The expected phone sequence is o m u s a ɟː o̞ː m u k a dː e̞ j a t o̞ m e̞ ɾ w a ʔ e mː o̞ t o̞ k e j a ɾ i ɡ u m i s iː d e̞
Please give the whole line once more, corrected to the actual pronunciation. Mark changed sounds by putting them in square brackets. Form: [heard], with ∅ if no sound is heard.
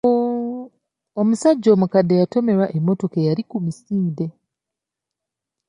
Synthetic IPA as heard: o m u s a ɟː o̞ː m u k a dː e̞ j a t o̞ m e̞ ɾ w a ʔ e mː o̞ t o̞ k e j a ɾ i [k] u m i s iː d e̞